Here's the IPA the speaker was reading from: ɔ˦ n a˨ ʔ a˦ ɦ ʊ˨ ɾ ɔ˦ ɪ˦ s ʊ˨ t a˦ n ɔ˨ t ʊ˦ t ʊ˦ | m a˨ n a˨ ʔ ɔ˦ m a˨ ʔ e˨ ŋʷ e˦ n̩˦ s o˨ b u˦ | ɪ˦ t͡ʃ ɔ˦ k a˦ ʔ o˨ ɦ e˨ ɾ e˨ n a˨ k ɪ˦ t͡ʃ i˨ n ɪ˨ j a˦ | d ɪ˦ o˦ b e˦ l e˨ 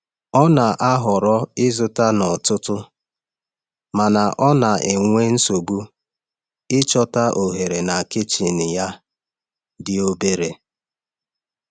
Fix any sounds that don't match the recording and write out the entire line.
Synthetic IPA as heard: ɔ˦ n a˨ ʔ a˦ ɦ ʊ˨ ɾ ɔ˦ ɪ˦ z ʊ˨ t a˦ n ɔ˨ t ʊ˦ t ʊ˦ | m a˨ n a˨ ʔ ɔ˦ n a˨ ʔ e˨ ŋʷ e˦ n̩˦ s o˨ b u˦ | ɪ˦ t͡ʃ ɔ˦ t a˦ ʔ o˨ ɦ e˨ ɾ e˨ n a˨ k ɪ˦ t͡ʃ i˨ n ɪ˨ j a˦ | d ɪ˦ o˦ b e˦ ɾ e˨

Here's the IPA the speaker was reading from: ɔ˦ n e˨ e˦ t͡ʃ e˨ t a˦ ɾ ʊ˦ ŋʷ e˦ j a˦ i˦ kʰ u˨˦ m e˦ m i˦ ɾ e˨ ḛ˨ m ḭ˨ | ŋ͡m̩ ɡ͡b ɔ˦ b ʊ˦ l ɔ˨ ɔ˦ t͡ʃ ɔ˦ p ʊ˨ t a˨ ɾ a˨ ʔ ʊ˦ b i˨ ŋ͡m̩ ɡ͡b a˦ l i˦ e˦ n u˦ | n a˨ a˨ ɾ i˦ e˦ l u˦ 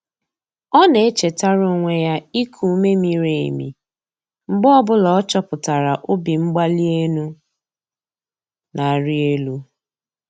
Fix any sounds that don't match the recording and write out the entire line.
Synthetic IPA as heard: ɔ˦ n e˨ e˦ t͡ʃ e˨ t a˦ ɾ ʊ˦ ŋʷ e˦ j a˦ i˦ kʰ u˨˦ m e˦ m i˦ ɾ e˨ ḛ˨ m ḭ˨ | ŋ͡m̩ ɡ͡b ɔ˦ b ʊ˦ l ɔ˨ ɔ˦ t͡ʃ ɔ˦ p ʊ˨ t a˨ ɾ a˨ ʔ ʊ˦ b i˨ ŋ͡m̩ ɡ͡b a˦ l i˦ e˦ n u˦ | n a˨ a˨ ɾ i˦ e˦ l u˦

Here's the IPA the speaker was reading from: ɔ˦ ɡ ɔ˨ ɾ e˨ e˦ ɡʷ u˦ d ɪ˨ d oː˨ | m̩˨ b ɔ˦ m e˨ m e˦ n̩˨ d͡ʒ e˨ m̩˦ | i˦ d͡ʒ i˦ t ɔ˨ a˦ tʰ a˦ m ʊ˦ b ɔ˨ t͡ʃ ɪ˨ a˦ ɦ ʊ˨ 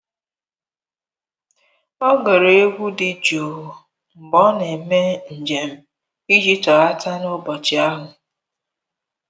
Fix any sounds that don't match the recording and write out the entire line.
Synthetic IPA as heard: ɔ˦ ɡ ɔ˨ ɾ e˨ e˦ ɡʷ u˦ d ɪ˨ d͡ʒ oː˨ | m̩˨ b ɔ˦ n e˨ m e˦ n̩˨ d͡ʒ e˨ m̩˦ | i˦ d͡ʒ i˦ t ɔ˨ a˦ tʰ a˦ n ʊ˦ b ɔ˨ t͡ʃ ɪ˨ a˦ ɦ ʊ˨

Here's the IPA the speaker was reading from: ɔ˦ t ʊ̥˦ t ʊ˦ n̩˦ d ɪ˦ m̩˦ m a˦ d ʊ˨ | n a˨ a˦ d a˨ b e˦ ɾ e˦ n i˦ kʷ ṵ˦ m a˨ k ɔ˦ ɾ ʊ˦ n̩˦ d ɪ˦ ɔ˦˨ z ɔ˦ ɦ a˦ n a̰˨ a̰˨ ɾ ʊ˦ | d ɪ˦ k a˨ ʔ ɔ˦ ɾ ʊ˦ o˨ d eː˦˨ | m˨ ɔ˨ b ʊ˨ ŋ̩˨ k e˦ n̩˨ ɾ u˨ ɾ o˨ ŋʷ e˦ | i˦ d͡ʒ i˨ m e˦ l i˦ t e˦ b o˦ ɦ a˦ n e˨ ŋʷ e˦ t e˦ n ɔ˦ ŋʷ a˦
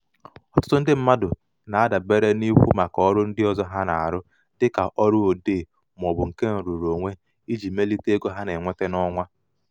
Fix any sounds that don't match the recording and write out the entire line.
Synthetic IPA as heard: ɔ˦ t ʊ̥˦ t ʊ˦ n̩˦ d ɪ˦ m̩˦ m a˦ d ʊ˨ | n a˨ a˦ d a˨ b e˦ ɾ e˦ n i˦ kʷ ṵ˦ m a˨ k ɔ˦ ɾ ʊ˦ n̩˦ d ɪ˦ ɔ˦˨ z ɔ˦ ɦ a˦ n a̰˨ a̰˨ ɾ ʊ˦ | d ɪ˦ k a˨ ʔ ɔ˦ ɾ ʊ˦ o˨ d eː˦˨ | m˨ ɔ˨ b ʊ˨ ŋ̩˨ k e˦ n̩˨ ɾ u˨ ɾ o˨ ŋʷ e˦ | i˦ d͡ʒ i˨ m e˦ l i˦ t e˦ ɡ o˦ ɦ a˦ n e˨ ŋʷ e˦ t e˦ n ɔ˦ ŋʷ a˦

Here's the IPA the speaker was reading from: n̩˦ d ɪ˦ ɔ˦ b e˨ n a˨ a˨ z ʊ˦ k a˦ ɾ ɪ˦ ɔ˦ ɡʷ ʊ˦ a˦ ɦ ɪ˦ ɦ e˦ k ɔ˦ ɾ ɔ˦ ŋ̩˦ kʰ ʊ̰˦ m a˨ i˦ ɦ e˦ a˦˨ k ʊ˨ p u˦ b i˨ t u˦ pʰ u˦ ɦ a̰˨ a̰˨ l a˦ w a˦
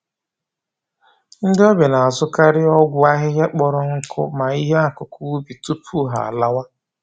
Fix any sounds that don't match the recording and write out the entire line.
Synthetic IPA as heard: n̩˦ d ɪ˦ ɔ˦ b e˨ n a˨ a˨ z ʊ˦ k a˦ ɾ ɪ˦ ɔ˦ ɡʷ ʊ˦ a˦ ɦ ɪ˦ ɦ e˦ k͡p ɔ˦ ɾ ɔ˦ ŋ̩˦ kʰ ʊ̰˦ m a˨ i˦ ɦ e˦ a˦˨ k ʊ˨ k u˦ b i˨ t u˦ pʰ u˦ ɦ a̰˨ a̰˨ l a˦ w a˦

